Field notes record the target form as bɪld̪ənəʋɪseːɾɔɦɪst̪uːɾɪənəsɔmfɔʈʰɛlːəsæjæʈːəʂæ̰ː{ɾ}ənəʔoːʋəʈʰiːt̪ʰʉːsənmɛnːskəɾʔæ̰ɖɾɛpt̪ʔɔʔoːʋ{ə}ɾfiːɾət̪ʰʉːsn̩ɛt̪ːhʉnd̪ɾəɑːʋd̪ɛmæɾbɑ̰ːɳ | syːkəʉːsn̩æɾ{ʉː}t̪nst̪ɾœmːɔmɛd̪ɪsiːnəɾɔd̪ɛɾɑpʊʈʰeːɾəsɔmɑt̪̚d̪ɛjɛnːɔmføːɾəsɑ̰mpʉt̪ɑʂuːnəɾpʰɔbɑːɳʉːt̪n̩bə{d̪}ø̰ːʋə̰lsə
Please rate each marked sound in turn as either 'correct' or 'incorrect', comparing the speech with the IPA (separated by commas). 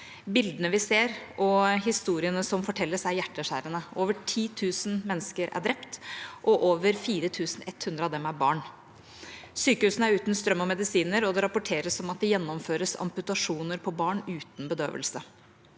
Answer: correct, correct, correct, correct